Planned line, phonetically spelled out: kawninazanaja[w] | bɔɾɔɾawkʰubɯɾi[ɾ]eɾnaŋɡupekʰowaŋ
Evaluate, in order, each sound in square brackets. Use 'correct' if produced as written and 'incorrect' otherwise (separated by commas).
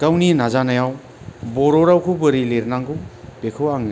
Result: correct, incorrect